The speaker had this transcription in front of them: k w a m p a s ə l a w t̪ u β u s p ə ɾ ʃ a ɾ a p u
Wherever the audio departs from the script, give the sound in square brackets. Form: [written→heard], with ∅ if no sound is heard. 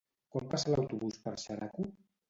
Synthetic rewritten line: k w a m p a s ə l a w t̪ u β u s p ə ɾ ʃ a ɾ a [p→k] u